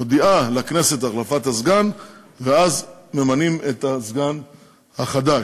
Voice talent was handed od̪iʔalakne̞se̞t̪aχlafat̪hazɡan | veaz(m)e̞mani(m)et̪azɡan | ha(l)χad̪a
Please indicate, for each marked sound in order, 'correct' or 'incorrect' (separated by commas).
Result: correct, correct, incorrect